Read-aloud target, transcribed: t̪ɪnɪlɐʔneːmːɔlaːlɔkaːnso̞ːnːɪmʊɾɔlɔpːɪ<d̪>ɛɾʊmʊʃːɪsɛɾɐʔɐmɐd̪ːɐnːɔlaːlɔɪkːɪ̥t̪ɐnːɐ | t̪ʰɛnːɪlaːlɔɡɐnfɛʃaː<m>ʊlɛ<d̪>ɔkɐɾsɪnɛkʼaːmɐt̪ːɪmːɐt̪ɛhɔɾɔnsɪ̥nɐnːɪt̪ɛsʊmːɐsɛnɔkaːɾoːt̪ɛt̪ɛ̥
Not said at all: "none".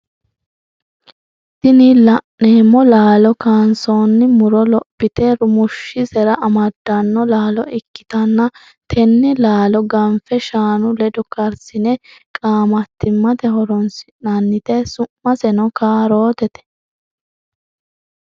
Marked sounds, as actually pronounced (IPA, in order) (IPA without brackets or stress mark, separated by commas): t̪, n, d̪